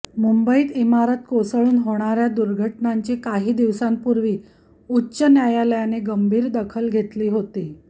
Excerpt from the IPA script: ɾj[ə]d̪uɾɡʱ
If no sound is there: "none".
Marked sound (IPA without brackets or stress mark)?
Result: a